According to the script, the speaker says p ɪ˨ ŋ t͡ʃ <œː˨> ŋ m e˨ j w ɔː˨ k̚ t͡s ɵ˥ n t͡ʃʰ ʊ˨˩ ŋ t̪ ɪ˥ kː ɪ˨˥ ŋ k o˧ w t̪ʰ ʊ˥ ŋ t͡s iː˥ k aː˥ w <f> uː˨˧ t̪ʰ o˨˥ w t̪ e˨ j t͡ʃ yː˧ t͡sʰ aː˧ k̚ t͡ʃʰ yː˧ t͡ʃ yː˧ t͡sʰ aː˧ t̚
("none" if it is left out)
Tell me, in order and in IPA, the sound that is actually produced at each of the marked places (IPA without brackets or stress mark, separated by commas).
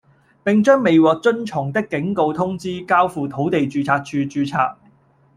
œː˥, f